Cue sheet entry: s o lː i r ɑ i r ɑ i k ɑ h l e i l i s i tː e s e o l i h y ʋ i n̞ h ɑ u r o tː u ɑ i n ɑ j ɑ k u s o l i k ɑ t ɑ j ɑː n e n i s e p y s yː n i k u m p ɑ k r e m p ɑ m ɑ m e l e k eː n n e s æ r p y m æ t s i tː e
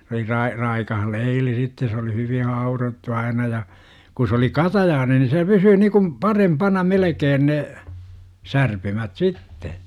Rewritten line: s o l i r ɑ i r ɑ i k ɑ h l e i l i s i tː e s e o l i h y ʋ i n̞ h ɑ u r o tː u ɑ i n ɑ j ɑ k u s o l i k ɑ t ɑ j ɑː n e n i s e p y s yː n i k u m p ɑ r e m p ɑ n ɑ m e l e k eː n n e s æ r p y m æ t s i tː e